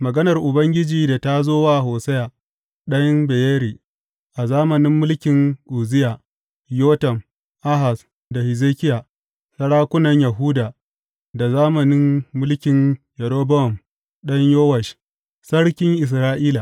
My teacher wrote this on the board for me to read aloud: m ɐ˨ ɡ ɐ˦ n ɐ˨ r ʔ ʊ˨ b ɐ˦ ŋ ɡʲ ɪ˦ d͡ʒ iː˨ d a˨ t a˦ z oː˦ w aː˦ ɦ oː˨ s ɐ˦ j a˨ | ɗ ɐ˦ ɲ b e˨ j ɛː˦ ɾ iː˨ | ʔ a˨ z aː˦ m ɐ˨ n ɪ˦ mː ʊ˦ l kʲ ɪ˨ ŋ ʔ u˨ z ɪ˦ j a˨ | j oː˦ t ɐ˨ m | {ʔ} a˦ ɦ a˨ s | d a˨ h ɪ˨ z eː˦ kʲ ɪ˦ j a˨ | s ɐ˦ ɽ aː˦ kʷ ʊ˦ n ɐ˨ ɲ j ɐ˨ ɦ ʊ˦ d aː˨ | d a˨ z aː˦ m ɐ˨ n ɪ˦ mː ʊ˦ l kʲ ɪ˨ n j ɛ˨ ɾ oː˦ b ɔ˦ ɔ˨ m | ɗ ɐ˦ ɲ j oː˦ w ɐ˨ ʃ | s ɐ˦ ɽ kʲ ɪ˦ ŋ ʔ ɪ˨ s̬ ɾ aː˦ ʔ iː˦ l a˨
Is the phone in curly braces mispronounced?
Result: no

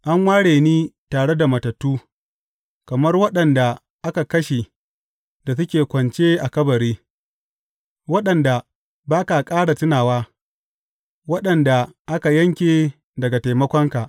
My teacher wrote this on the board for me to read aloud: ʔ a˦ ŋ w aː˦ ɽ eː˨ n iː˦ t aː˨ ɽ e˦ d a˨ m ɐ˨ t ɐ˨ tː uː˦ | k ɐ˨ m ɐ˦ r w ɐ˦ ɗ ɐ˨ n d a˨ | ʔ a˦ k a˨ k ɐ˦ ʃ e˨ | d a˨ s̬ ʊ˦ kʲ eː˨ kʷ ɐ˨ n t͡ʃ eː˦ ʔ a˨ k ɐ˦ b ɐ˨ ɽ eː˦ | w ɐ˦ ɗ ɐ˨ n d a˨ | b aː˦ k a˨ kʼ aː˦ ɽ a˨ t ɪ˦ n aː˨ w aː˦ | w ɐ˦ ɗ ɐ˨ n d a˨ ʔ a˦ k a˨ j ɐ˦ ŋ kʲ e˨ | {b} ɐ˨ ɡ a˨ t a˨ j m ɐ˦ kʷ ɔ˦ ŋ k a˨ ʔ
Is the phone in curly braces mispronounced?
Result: yes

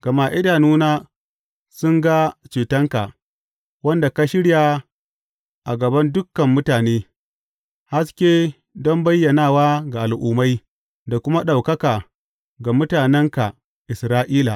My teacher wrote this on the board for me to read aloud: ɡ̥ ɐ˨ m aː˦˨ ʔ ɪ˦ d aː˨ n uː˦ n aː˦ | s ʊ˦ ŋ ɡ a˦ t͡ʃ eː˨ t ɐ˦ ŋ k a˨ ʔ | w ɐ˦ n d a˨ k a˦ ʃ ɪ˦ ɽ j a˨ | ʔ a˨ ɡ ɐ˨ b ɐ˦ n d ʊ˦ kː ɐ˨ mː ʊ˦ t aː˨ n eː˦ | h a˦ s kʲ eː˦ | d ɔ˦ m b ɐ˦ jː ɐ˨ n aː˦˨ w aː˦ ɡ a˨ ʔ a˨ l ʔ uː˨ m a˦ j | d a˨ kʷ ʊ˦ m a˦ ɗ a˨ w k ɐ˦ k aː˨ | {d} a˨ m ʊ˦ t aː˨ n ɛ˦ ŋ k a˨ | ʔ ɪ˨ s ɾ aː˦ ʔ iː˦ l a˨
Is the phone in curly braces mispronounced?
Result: yes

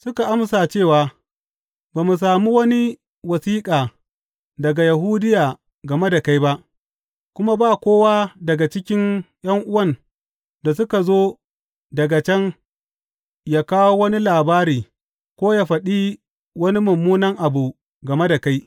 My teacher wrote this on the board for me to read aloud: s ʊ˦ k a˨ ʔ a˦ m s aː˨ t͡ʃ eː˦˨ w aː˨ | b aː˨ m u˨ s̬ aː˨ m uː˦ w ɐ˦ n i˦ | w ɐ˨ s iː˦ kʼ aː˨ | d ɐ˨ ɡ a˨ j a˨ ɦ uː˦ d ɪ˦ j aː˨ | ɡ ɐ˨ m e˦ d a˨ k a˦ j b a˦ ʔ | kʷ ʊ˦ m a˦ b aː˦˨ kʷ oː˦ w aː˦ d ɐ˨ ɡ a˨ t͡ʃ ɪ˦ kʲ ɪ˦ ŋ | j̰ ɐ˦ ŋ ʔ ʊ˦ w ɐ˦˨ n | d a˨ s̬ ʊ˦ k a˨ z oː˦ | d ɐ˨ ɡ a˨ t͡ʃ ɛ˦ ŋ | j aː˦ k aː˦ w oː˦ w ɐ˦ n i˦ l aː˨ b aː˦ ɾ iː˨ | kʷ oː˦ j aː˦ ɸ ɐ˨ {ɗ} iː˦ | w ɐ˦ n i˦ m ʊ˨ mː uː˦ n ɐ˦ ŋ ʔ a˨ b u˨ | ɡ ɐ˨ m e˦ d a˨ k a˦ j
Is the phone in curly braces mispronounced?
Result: no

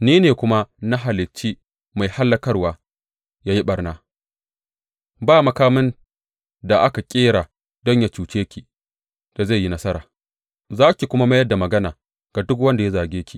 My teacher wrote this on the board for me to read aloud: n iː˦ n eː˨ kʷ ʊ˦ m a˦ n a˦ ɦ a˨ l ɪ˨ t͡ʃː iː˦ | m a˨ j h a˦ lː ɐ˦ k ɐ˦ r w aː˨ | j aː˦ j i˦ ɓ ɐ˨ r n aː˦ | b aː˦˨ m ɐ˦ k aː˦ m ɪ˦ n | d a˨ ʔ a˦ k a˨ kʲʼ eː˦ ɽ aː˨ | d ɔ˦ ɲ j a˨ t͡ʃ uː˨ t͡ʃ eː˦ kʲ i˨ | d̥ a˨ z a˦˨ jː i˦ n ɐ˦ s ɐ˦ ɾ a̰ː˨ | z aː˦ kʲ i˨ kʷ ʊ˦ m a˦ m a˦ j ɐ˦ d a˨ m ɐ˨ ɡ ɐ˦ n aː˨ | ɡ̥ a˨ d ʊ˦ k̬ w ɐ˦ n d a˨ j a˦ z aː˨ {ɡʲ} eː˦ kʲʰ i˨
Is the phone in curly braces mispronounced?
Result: no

